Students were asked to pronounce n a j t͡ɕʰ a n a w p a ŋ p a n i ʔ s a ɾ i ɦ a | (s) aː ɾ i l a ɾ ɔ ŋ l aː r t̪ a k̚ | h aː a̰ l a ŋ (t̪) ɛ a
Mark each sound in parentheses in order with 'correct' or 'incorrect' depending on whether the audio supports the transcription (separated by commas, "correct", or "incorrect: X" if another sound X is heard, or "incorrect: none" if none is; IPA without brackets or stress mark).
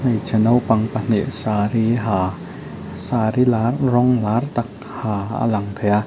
correct, incorrect: t̪ʰ